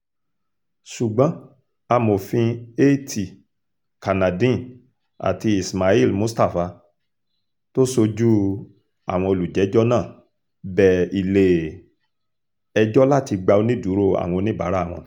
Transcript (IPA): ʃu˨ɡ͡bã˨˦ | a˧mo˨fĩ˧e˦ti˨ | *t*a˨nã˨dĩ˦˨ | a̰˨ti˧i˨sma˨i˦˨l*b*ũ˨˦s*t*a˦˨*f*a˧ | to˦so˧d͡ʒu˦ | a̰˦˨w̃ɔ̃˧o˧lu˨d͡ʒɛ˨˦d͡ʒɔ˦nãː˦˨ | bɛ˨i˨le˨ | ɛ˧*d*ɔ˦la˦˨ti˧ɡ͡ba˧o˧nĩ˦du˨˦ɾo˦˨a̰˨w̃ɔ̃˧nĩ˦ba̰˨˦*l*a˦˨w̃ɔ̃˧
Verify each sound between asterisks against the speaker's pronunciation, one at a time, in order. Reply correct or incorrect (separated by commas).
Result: incorrect, incorrect, correct, correct, incorrect, incorrect